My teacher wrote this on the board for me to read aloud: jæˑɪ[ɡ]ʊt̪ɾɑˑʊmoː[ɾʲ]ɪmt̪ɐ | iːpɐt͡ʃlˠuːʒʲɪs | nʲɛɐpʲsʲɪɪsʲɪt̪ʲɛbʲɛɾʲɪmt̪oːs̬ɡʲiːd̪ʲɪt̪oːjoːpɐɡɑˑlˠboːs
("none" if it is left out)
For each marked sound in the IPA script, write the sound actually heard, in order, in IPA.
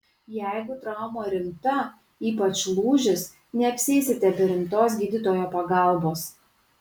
ɡ, ɾʲ

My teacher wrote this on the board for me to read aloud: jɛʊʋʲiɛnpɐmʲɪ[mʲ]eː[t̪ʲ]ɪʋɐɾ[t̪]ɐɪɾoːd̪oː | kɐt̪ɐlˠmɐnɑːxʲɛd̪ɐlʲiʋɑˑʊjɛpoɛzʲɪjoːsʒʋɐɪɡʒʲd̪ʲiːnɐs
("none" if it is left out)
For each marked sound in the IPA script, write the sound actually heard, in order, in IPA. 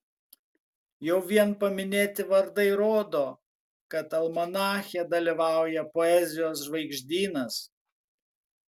nʲ, t̪ʲ, d̪

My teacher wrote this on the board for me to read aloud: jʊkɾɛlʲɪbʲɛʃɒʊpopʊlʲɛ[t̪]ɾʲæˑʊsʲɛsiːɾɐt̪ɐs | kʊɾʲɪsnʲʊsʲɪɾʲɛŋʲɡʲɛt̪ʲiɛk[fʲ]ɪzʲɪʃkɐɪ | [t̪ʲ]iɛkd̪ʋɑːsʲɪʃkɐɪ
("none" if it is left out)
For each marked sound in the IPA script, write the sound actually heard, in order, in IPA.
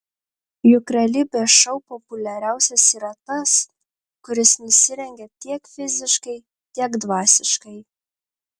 none, fʲ, t̪ʲ

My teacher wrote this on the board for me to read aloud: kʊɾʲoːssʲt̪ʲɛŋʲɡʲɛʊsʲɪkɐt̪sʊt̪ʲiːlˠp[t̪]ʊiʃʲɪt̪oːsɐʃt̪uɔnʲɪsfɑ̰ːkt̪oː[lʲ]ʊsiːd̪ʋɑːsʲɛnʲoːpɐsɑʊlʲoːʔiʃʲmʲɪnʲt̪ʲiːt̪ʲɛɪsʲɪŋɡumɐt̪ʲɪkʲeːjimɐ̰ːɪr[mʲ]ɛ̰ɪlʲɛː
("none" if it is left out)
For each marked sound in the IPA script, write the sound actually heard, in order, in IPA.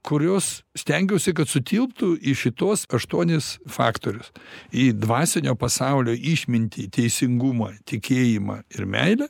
t̪, ɾʲ, mʲ

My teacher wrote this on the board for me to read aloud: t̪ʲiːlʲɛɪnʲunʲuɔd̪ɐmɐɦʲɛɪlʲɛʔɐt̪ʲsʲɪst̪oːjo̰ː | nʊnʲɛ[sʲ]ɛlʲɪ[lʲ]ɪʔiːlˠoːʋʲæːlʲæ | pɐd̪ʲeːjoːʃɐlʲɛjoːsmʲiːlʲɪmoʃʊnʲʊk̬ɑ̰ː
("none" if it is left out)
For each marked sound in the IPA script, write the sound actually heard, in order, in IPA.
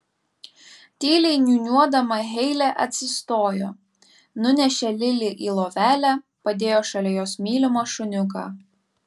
ʃʲ, lʲ

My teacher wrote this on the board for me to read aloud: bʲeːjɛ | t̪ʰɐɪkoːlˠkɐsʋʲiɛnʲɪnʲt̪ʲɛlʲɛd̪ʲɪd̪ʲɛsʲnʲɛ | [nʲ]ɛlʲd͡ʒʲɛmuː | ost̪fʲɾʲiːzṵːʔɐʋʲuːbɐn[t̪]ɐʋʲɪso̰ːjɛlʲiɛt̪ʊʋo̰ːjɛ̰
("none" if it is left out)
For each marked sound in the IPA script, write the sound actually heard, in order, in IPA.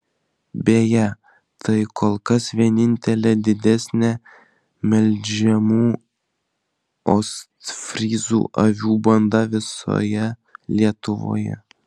mʲ, d̪

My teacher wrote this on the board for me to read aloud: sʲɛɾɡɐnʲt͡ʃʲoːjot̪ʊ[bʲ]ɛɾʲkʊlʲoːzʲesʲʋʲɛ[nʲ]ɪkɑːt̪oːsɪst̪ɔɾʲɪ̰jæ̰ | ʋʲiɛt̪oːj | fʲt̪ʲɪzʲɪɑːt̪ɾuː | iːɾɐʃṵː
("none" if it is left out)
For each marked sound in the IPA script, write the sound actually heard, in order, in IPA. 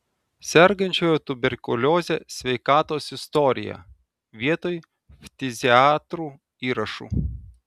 bʲ, none

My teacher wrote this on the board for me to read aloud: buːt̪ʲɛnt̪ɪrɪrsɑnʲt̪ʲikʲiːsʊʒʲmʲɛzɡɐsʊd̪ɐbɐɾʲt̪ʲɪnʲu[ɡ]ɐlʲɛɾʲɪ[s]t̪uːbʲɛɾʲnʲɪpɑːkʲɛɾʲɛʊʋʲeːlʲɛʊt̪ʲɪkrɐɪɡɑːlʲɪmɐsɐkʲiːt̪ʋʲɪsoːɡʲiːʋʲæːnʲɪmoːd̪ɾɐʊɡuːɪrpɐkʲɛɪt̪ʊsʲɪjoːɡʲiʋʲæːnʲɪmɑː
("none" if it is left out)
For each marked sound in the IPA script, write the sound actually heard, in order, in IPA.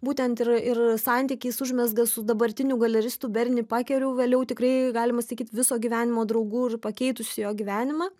ɡ, s

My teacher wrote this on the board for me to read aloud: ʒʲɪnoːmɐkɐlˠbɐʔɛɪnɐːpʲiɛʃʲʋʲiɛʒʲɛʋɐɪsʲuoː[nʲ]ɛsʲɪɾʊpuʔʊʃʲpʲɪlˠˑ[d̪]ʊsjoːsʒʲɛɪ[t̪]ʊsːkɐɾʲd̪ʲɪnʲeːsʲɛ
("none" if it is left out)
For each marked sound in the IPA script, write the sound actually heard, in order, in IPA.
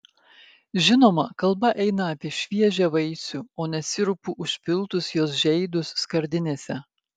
nʲ, t̪, d̪

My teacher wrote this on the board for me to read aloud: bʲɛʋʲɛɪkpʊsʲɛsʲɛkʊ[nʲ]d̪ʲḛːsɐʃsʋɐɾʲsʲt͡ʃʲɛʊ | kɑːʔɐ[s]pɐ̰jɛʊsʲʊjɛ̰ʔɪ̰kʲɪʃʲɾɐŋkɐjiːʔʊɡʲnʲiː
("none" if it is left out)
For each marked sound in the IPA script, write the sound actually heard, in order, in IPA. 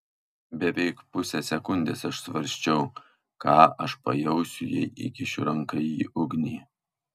nʲ, ʃ

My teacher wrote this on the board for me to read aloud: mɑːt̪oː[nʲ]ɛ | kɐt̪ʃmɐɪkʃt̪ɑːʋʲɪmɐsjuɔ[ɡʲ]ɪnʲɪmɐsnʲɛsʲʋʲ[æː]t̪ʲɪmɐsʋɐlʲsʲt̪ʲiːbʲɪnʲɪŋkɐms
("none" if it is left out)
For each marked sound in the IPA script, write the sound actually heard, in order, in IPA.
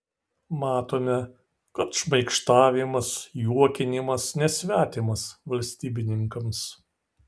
mʲ, kʲ, æː

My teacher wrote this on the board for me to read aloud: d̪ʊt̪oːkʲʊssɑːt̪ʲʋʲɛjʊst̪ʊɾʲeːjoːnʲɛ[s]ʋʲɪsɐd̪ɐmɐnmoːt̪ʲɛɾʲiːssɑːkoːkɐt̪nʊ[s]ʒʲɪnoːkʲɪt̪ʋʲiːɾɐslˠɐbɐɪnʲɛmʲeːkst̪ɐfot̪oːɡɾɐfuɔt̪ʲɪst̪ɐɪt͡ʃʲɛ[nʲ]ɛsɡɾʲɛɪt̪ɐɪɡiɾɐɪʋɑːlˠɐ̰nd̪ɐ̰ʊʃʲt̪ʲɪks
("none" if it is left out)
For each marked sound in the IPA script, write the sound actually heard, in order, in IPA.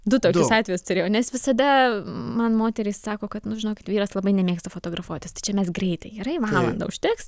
s, none, mʲ

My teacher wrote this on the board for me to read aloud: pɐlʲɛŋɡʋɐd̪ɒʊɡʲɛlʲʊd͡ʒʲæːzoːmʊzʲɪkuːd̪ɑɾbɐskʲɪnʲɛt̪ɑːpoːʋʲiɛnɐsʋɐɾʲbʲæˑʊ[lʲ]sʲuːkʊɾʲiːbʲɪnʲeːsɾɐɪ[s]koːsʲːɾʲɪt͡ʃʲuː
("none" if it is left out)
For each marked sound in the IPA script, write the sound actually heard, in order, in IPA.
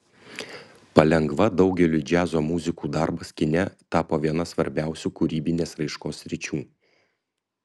none, ʃ

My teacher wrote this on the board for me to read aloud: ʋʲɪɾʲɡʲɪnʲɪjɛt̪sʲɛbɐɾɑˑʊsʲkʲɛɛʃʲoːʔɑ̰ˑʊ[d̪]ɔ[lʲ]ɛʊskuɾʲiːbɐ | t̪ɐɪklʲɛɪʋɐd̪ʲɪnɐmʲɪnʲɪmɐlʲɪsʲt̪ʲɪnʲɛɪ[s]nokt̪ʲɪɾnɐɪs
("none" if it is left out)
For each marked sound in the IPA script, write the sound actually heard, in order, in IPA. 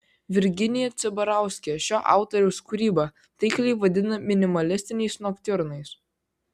t̪, ɾʲ, s

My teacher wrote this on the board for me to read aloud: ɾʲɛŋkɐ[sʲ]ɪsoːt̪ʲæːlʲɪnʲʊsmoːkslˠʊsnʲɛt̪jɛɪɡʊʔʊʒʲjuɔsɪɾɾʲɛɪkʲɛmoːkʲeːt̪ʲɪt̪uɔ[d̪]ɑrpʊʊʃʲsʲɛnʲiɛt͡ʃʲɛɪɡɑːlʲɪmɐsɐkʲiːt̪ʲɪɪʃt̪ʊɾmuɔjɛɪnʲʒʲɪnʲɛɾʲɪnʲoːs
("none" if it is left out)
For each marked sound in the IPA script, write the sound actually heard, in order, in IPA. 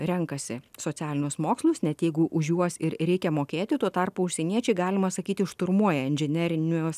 sʲ, t̪

